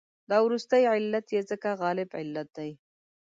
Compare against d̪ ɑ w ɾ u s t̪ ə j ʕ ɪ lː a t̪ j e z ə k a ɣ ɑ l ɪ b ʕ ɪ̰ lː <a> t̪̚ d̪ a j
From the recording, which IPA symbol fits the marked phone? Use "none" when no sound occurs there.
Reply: a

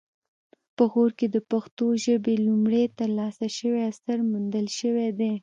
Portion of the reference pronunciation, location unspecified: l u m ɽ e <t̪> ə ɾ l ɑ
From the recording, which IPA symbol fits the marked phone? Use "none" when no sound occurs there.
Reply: t̪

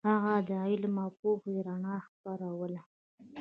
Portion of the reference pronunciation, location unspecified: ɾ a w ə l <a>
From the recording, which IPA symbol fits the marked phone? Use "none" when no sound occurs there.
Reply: a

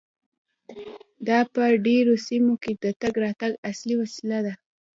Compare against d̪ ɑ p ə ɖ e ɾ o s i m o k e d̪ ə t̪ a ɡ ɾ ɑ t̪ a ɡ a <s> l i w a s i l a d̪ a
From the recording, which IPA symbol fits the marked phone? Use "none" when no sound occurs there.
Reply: s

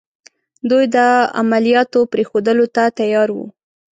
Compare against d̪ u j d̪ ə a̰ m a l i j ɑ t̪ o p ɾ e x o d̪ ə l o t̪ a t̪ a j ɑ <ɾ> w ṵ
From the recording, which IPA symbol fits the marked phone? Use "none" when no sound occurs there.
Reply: ɾ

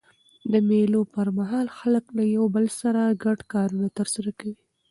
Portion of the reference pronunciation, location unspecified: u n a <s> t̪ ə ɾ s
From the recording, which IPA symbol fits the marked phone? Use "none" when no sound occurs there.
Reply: none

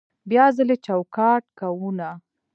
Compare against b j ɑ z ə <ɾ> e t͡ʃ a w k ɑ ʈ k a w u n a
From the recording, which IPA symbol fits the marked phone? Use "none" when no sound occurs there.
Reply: l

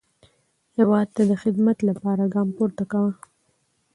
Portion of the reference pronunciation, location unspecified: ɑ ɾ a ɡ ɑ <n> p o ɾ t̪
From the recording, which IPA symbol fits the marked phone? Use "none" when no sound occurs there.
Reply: m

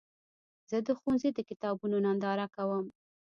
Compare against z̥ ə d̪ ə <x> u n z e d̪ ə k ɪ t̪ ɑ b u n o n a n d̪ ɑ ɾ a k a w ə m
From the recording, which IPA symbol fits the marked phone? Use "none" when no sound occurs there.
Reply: x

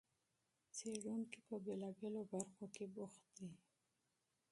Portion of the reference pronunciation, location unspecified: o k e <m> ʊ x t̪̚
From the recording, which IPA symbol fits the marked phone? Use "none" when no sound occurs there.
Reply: b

